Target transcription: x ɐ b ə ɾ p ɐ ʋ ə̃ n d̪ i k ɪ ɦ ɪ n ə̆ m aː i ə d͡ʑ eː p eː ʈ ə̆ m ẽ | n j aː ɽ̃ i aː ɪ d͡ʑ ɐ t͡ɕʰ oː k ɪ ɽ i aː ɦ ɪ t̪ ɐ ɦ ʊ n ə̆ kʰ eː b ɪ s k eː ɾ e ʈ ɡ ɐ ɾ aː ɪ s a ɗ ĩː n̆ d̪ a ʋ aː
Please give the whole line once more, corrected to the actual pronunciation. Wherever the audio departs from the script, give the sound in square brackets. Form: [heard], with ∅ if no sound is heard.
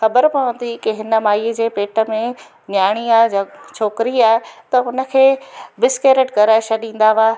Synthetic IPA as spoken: x ɐ b ə ɾ p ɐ ʋ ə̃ n d̪ i k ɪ ɦ ɪ n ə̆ m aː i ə d͡ʑ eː p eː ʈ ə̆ m ẽ | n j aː ɽ̃ i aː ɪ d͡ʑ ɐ t͡ɕʰ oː k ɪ [ɾ] i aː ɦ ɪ t̪ ɐ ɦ ʊ n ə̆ kʰ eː b ɪ s k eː ɾ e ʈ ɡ ɐ ɾ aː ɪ [ʃ] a ɗ ĩː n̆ d̪ a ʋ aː